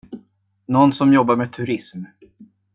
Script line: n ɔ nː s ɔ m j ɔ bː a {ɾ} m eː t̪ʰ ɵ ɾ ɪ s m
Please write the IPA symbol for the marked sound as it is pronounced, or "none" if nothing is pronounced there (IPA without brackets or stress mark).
ɾ